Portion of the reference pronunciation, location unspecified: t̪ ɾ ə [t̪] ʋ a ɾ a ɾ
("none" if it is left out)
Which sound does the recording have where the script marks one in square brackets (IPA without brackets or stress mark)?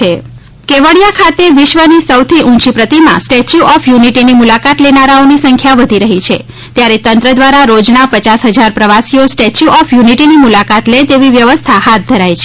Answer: d̪